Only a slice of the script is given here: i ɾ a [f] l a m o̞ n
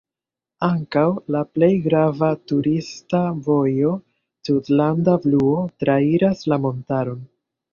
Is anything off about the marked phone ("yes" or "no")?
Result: yes